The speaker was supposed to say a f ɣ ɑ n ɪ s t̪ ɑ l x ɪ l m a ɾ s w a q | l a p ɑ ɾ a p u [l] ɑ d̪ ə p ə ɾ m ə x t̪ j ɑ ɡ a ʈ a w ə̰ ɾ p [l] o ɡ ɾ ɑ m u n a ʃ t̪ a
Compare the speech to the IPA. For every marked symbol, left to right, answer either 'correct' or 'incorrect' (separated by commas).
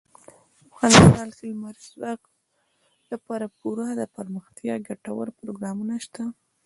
incorrect, incorrect